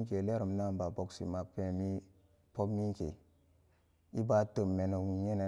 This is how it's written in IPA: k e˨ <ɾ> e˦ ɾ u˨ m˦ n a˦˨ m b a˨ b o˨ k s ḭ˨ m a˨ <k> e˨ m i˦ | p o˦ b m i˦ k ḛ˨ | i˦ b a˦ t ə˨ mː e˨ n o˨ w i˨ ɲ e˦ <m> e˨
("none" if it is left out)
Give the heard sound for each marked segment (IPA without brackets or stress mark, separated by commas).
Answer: l, p, n